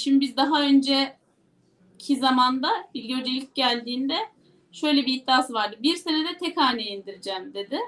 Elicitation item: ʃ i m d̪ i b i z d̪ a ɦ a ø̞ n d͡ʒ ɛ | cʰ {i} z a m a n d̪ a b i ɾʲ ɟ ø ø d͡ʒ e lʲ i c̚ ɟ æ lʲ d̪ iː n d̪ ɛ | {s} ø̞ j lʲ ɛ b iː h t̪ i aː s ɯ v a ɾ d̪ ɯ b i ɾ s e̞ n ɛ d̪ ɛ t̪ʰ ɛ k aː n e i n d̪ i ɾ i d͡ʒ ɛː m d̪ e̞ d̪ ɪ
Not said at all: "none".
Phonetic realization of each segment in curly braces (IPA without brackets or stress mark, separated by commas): i, ʃ